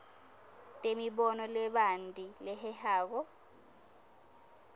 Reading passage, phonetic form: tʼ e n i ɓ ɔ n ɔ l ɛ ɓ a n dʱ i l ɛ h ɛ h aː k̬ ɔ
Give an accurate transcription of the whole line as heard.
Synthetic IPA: tʼ e m i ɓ ɔ n ɔ l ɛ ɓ a n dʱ i l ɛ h ɛ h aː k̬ ɔ